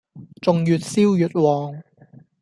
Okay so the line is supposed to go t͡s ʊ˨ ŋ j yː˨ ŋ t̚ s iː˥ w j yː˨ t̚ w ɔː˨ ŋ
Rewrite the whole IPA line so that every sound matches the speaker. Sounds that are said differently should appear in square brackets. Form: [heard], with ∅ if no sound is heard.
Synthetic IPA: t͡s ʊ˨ ŋ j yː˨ [∅] t̚ s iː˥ w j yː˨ t̚ w ɔː˨ ŋ